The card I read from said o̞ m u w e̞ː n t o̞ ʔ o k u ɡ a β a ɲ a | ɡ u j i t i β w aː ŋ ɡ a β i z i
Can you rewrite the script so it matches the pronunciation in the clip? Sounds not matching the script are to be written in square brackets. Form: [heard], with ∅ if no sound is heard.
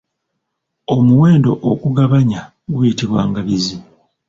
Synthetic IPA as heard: o̞ m u w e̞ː n [d] o̞ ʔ o k u ɡ a β a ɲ a | ɡ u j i t i β w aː ŋ ɡ a β i z i